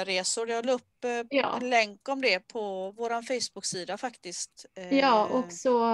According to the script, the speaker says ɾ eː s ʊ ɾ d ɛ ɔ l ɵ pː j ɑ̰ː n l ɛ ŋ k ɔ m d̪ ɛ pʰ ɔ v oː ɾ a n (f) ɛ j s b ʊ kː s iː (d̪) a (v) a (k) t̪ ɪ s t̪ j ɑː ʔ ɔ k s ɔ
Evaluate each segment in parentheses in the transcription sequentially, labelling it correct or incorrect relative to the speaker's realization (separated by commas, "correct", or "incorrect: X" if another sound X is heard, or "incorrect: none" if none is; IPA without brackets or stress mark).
correct, correct, incorrect: f, correct